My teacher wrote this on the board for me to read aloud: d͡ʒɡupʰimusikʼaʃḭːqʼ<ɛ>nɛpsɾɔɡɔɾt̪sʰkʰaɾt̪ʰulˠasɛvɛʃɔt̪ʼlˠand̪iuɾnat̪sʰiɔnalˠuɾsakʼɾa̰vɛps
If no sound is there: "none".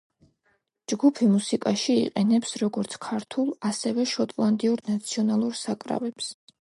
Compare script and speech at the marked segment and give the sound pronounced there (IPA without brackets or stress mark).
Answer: ɛ